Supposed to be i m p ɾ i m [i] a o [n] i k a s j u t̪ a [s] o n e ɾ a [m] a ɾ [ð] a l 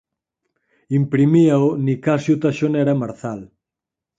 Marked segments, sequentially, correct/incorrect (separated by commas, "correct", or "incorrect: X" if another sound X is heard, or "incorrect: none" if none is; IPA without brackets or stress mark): correct, correct, incorrect: ʃ, correct, incorrect: θ